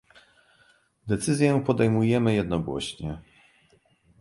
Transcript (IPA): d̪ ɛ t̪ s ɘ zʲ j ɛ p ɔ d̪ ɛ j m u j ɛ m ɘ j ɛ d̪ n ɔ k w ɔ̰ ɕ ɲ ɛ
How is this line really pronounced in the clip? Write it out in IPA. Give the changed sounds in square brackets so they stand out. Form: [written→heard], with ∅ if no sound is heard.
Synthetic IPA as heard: d̪ ɛ t̪ s ɘ zʲ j ɛ p ɔ d̪ ɛ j m u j ɛ m ɘ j ɛ d̪ n ɔ [k→ɡ] w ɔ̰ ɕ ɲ ɛ